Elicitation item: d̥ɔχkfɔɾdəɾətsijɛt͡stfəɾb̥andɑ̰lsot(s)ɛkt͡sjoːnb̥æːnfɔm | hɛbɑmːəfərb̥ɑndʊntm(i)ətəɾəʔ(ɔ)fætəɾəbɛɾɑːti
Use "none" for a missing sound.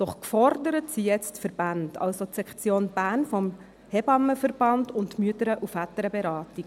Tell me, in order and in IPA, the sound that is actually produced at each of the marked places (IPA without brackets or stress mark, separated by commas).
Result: s, y, u